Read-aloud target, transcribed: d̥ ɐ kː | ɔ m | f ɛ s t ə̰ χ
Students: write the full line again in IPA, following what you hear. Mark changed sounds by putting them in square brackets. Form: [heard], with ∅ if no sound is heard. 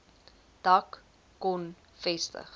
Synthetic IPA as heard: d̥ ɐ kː | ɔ [n] | f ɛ s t ə̰ χ